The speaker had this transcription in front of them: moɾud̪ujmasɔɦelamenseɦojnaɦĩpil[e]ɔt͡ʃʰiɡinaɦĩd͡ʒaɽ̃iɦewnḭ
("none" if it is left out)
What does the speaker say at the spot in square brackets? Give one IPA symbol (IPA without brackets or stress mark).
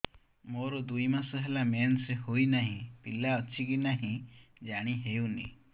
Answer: a